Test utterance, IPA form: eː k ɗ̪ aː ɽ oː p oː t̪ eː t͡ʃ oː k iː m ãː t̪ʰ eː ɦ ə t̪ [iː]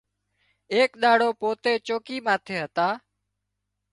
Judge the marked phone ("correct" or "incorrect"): incorrect